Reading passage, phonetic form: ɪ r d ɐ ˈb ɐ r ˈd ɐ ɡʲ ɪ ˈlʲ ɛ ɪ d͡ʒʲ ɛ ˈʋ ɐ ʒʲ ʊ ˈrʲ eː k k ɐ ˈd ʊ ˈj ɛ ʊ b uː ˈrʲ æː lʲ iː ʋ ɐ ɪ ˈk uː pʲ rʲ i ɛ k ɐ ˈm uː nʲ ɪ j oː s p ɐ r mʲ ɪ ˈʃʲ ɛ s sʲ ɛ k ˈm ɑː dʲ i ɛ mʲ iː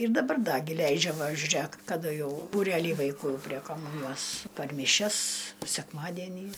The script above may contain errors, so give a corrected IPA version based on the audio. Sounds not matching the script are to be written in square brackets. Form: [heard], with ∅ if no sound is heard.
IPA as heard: ɪ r d ɐ ˈb ɐ r ˈd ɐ ɡʲ ɪ ˈlʲ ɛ ɪ d͡ʒʲ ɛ ˈʋ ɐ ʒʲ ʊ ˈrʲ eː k k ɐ ˈd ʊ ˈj ɛ ʊ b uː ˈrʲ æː lʲ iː ʋ ɐ ɪ ˈk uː pʲ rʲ i ɛ k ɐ ˈm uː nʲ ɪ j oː s p ɐ r mʲ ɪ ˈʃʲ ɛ s sʲ ɛ k ˈm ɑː dʲ i ɛ [nʲ] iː